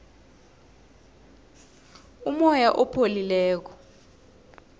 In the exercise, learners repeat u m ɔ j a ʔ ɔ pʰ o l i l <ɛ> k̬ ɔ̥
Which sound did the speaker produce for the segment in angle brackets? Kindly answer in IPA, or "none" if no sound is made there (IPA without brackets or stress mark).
ɛː